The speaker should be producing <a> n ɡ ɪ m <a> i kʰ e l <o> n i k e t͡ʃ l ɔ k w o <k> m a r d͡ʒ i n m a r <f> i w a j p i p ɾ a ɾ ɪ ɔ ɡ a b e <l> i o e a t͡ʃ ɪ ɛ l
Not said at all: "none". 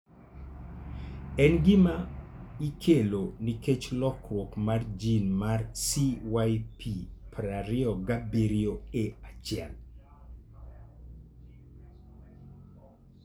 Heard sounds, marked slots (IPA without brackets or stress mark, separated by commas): ɛ, a, o, k, s, ɾ